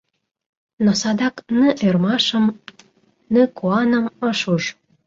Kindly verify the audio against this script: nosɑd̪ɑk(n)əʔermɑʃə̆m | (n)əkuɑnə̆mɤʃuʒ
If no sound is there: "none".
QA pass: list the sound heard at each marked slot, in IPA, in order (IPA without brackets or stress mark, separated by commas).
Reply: n, n